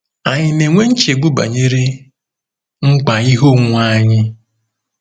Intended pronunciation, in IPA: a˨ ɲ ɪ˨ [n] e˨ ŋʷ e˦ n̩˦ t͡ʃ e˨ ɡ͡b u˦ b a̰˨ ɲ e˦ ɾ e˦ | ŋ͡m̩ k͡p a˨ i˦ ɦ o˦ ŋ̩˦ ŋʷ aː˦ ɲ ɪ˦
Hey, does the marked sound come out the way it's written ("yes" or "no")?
yes